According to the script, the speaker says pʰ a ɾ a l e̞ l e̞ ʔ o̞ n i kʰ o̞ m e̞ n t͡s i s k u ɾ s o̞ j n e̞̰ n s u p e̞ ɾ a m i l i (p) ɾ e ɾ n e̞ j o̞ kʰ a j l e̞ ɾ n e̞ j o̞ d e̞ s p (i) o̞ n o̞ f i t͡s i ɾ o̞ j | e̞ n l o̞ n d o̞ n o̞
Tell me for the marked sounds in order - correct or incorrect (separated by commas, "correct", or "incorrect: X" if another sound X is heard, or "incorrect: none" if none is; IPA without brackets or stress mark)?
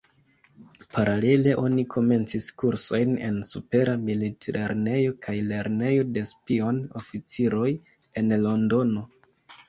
incorrect: t, correct